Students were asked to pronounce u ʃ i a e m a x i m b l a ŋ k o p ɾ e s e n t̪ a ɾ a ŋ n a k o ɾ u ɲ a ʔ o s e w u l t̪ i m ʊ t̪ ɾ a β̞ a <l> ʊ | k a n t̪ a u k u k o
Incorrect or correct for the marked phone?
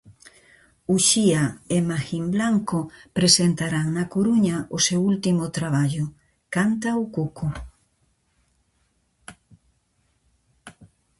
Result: incorrect: ʎ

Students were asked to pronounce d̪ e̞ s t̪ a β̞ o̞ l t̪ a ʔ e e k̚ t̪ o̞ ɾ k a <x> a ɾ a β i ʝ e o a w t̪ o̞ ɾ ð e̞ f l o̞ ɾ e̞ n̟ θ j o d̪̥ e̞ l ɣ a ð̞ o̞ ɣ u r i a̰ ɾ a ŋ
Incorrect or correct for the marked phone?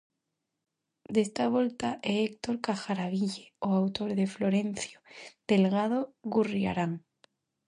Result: correct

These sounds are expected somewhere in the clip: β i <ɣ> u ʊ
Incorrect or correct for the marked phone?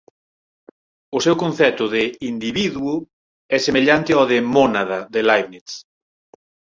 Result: incorrect: ð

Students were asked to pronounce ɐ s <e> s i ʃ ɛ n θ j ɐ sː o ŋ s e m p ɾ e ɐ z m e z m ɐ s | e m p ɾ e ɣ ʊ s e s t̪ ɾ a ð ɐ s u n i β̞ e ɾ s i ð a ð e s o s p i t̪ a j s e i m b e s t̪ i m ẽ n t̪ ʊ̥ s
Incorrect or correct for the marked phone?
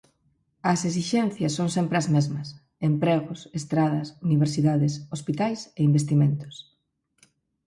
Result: correct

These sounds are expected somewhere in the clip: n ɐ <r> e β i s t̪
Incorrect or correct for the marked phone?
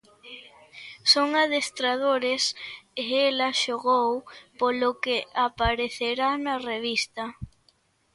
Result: correct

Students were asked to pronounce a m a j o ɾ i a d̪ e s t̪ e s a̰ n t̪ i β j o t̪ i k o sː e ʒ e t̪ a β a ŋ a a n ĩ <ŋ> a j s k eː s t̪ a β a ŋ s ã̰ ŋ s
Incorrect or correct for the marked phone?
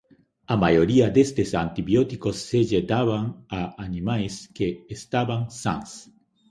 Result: incorrect: m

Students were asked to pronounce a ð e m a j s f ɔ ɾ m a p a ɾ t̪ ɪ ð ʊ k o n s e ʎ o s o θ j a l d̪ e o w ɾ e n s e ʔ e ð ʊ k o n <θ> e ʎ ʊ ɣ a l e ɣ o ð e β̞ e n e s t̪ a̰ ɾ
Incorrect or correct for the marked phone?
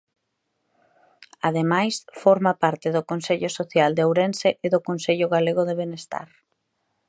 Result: incorrect: s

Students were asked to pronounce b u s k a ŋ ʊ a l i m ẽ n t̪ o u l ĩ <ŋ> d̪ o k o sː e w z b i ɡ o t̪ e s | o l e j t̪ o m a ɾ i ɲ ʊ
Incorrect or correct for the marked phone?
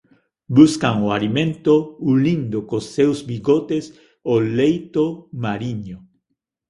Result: incorrect: n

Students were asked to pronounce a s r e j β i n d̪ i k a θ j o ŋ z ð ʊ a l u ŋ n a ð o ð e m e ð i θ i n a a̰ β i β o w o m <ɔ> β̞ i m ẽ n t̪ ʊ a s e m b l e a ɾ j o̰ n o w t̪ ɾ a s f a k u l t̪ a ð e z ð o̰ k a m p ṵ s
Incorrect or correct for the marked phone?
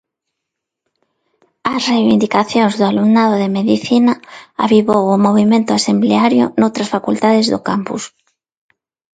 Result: incorrect: o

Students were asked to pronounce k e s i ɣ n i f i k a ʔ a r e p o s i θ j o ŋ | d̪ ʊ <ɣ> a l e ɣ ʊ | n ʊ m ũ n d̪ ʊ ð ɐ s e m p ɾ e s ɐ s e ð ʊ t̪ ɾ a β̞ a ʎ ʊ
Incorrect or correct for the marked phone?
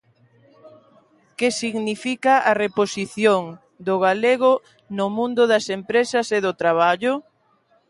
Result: correct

